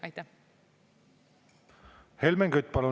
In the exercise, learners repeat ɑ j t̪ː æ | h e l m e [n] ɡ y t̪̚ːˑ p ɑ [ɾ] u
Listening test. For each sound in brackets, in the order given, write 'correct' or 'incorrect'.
incorrect, incorrect

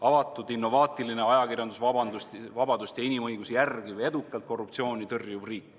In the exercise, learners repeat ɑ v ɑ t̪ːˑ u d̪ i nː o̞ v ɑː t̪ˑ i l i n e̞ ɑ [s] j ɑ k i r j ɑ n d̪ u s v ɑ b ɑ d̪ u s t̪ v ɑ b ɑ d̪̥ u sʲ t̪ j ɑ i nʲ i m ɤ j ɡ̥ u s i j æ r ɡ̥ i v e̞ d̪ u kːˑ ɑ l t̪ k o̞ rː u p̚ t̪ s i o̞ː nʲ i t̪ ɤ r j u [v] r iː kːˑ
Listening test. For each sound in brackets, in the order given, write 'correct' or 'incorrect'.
incorrect, correct

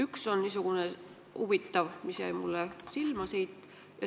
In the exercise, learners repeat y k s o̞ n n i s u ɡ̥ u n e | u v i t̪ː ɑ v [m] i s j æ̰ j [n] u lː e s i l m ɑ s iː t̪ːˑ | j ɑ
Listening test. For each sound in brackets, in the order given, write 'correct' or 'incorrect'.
correct, incorrect

